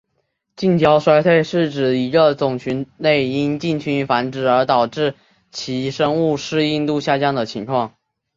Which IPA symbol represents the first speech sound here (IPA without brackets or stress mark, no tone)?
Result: t͡ɕ